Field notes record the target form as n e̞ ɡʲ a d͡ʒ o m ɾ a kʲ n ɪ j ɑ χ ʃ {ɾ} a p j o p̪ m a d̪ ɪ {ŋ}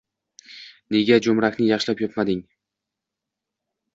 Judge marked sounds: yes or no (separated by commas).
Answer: no, yes